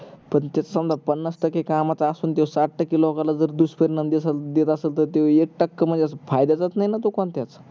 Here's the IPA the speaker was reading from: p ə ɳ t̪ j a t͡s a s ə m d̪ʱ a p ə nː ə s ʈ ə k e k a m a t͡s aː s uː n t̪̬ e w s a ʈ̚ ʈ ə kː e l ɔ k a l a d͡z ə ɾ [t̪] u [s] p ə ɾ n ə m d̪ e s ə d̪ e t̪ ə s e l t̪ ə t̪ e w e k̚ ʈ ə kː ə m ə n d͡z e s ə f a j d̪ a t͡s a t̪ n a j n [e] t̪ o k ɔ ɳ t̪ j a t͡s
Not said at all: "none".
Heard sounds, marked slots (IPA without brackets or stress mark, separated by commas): d̪, s, a